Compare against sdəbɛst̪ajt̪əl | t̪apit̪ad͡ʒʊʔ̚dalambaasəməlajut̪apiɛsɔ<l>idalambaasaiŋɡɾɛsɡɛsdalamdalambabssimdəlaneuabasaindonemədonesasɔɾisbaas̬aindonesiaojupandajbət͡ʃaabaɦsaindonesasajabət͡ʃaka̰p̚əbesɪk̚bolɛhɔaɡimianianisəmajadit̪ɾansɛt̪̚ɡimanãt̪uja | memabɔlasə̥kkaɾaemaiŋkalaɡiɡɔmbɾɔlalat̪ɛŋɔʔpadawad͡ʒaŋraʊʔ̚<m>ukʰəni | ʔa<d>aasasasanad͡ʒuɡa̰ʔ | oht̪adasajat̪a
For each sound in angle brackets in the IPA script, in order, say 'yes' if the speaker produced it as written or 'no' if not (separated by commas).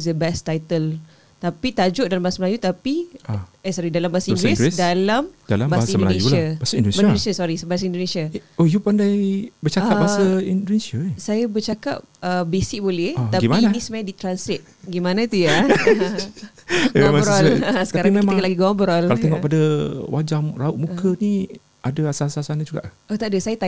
no, yes, yes